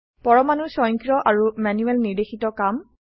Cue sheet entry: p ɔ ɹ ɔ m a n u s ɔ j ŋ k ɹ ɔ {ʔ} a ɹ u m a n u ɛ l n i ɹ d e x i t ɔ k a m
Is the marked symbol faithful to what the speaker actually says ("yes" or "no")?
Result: yes